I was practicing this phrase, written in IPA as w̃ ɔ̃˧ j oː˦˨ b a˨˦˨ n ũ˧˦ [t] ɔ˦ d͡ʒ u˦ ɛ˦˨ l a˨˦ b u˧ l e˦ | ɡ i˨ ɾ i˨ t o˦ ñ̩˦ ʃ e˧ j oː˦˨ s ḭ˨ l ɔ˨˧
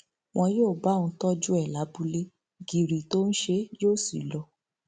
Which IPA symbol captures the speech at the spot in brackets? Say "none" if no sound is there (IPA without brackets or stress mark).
t